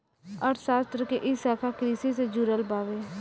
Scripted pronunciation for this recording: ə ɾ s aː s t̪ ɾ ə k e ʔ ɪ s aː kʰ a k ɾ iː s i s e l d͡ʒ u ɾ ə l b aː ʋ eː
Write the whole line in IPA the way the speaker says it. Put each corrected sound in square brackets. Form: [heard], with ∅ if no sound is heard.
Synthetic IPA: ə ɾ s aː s t̪ ɾ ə k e ʔ ɪ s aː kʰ a k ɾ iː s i s e [∅] d͡ʒ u ɾ ə l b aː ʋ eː